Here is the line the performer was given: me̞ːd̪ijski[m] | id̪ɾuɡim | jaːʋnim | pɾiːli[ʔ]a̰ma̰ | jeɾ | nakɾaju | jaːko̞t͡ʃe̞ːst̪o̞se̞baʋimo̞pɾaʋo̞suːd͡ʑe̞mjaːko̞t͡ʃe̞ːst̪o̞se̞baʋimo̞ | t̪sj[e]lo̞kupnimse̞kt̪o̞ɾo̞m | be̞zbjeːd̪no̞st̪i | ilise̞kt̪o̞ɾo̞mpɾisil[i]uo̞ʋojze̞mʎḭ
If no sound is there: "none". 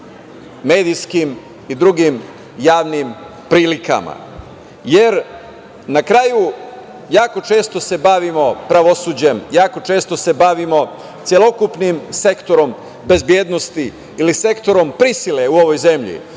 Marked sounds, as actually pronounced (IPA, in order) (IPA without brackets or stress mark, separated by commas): m, k, e, e